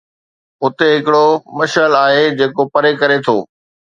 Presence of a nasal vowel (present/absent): absent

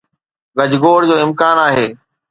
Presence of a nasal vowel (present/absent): absent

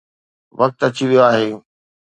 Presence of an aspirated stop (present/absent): absent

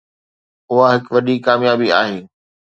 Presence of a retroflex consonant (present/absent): absent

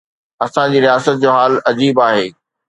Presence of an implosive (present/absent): absent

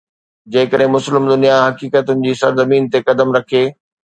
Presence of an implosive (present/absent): present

